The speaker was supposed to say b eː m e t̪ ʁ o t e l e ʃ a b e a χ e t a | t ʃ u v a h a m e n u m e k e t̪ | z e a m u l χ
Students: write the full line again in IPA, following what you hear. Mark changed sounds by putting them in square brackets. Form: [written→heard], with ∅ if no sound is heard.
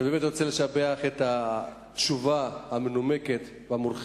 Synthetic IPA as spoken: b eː m e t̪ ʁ o [t→t͡s] e l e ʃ a b e a χ e t a | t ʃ u v a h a m e n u m e k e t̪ | [z→v] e a m u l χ